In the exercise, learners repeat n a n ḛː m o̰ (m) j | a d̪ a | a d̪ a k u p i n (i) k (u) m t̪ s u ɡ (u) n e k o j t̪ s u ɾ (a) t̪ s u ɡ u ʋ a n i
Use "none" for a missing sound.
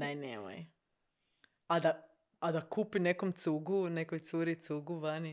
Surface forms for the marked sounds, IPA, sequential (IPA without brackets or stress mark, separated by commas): none, e, o, u, i